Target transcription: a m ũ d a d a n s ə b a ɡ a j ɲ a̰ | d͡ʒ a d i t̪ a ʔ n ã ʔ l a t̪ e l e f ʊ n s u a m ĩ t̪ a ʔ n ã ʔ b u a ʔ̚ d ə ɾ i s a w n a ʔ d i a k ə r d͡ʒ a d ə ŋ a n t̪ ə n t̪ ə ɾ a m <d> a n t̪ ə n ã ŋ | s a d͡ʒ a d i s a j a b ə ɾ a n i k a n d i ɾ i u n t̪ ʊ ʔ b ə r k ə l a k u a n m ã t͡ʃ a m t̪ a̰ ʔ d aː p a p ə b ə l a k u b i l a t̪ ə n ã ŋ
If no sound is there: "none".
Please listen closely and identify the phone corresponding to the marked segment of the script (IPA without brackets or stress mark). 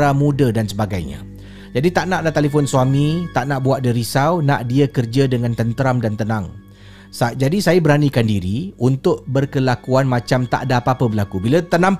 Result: d